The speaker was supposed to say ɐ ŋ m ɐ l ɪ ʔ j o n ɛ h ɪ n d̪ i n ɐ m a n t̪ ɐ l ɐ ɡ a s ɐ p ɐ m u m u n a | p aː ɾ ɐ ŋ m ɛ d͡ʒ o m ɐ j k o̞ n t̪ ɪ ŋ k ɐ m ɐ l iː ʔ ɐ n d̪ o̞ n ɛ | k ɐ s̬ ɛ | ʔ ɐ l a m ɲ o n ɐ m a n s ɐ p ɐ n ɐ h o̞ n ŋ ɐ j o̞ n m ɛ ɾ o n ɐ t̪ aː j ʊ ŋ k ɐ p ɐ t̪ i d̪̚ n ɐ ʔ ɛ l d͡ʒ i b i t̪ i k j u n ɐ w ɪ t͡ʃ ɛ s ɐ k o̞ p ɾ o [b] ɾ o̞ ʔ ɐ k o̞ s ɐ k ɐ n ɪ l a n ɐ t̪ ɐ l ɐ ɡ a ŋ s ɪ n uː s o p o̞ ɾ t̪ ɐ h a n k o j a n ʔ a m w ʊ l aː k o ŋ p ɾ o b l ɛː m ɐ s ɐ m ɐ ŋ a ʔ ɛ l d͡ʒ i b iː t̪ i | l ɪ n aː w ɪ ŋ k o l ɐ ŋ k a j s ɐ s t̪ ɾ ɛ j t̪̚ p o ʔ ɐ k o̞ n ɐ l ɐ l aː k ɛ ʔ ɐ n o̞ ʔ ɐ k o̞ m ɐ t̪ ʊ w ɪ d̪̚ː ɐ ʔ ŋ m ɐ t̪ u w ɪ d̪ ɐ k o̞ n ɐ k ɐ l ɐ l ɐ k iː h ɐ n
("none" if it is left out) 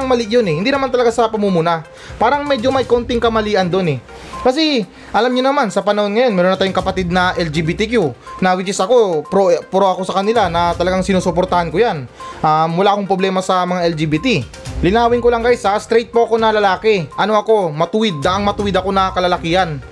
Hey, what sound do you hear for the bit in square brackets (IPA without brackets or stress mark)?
p